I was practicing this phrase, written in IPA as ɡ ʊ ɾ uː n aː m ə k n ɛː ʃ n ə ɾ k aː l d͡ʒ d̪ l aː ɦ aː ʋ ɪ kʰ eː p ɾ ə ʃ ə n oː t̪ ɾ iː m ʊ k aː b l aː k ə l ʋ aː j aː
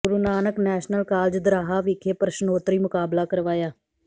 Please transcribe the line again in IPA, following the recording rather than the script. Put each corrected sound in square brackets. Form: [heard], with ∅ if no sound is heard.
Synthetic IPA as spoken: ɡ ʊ ɾ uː n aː [n] ə k n ɛː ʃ n ə [l] k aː l d͡ʒ d̪ [ɾ] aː ɦ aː ʋ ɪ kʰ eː p ɾ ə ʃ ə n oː t̪ ɾ iː m ʊ k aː b l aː k ə [ɾ] ʋ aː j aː